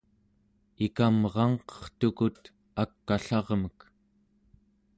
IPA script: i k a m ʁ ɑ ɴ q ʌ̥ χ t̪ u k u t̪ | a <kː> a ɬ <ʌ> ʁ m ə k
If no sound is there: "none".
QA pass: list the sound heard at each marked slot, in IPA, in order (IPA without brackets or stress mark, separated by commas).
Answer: kː, ɑ